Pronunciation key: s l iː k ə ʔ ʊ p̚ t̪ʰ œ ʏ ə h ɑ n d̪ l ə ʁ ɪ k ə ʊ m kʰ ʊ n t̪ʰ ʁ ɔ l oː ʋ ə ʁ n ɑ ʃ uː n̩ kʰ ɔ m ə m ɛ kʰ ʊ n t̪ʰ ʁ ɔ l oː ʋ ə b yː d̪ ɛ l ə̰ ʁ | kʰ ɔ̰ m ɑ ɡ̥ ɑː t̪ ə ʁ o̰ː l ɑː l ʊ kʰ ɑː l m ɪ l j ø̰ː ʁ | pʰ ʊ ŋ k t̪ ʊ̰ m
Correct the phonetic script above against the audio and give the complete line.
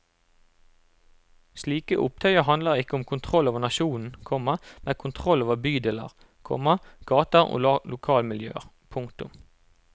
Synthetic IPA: s l iː k ə ʔ ʊ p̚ t̪ʰ œ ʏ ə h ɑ n d̪ l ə ʁ ɪ k ə ʊ m kʰ ʊ n t̪ʰ ʁ ɔ l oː ʋ ə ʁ n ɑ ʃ uː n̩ kʰ ɔ m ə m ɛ kʰ ʊ n t̪ʰ ʁ ɔ l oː ʋ ə b yː d̪ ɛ l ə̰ ʁ | kʰ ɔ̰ m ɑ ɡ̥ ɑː t̪ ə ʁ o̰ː l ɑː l ʊ kʰ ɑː l m ɪ l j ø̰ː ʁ | pʰ ʊ ŋ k t̪ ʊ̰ m